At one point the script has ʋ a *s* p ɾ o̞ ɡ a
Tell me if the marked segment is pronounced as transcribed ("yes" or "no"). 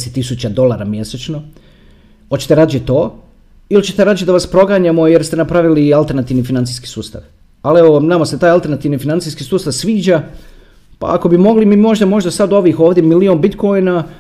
yes